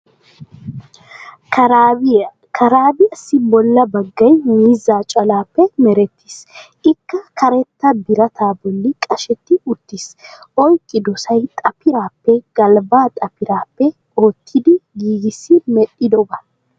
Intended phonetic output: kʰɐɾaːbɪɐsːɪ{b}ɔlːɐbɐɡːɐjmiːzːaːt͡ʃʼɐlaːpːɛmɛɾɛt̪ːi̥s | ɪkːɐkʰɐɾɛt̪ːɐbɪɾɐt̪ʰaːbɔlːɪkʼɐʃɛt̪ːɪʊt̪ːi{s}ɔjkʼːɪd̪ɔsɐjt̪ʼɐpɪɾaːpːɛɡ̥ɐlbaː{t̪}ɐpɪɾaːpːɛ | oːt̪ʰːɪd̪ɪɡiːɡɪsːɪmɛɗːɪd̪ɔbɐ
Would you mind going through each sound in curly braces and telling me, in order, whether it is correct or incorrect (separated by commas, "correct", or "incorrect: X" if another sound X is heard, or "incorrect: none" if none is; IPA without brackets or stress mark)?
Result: correct, correct, incorrect: t̪ʼ